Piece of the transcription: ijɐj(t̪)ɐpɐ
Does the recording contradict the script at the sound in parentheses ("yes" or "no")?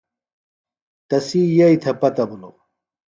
yes